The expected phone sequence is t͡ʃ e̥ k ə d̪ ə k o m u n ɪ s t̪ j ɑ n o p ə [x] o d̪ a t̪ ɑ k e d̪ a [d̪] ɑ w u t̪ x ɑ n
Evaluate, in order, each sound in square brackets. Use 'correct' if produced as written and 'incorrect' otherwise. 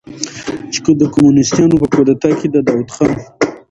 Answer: incorrect, correct

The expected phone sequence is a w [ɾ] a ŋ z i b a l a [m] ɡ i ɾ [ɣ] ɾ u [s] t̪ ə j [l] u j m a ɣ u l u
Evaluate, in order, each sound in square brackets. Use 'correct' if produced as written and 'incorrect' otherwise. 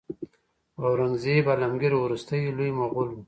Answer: correct, correct, incorrect, correct, correct

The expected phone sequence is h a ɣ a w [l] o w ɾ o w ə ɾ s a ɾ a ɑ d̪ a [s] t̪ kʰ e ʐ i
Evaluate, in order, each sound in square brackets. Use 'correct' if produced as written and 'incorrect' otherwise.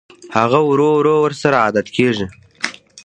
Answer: incorrect, incorrect

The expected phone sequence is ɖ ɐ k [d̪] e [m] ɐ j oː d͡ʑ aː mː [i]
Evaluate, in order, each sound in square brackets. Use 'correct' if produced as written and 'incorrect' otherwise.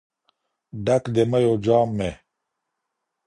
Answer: correct, correct, incorrect

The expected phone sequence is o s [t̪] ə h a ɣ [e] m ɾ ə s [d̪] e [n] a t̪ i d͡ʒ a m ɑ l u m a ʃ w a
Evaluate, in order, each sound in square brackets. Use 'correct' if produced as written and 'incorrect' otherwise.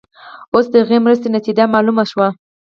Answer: incorrect, correct, incorrect, correct

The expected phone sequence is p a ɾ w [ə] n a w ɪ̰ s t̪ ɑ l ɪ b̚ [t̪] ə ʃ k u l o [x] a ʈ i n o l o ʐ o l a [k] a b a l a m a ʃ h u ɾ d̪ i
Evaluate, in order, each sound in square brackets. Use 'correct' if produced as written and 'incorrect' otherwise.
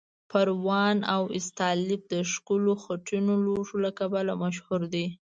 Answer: incorrect, incorrect, correct, correct

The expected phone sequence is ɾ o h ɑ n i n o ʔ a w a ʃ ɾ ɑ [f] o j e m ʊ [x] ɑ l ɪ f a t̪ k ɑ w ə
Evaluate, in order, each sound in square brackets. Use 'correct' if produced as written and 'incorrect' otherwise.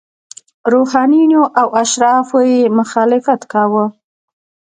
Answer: correct, correct

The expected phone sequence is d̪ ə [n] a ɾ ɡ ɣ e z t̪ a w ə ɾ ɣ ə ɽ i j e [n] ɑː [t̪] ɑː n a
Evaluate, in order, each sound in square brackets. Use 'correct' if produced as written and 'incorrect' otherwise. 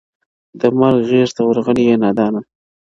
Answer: incorrect, correct, incorrect

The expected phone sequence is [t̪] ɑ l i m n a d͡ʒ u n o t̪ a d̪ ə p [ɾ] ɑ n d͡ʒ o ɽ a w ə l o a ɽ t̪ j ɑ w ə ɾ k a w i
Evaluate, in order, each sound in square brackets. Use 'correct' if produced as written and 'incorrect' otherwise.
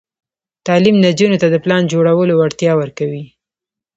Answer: correct, incorrect

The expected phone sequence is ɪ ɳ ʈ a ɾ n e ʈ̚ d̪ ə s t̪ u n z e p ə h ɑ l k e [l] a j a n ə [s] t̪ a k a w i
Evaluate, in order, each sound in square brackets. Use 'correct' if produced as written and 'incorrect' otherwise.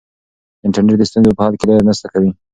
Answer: correct, correct

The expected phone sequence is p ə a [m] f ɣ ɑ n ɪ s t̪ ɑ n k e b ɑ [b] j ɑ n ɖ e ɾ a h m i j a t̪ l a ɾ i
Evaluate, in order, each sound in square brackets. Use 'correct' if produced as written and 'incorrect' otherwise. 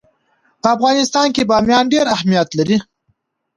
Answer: incorrect, incorrect

